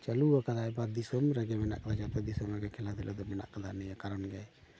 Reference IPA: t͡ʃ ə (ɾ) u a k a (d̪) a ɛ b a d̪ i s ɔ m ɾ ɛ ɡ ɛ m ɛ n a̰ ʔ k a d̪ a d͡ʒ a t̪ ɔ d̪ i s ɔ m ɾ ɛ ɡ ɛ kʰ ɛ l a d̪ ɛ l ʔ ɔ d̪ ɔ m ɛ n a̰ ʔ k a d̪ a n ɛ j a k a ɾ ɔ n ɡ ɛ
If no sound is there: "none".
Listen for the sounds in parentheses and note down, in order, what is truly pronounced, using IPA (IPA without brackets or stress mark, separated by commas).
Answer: l, d̪